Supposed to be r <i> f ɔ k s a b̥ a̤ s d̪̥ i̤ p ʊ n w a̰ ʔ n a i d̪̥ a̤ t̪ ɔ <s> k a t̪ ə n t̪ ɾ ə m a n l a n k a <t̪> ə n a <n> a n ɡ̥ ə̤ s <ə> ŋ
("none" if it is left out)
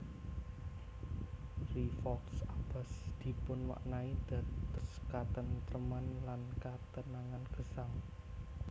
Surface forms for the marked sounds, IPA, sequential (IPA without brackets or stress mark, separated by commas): i, s, t̪, ŋ, a